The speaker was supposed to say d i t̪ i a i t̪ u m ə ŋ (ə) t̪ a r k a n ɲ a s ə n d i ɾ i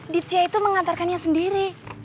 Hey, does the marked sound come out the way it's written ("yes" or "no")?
no